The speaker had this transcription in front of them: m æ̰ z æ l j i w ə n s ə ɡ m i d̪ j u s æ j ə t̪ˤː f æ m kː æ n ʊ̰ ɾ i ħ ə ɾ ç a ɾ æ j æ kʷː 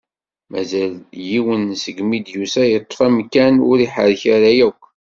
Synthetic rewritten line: m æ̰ z æ l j i w ə n s ə ɡ m i d̪ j u s æ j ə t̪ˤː f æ m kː æ n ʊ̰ ɾ i ħ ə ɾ ç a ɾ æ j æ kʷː